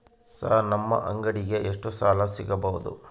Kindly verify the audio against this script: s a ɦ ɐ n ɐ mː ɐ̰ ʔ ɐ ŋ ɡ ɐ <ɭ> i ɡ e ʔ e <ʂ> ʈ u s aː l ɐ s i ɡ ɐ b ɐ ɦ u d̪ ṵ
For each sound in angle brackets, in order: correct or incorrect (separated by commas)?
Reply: incorrect, correct